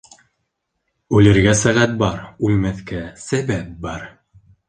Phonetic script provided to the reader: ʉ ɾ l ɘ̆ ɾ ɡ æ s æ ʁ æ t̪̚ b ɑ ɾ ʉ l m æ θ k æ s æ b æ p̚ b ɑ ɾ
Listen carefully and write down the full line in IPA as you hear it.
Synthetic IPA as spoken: ʉ l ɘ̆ ɾ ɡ æ s æ ʁ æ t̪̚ b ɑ ɾ ʉ l m æ θ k æ s æ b æ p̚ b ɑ ɾ